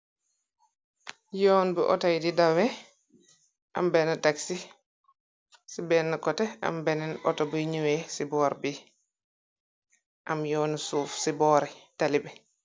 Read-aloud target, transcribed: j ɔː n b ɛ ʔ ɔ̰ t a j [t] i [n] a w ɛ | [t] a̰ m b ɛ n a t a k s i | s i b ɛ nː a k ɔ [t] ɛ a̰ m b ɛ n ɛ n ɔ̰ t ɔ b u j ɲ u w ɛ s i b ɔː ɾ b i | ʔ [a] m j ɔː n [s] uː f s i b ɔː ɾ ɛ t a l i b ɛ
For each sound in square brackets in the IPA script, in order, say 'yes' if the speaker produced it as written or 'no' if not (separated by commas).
no, no, no, yes, yes, yes